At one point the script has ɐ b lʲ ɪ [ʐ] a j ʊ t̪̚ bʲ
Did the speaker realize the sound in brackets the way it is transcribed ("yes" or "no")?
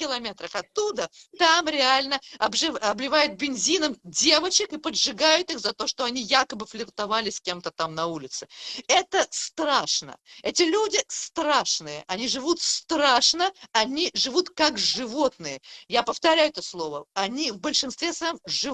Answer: no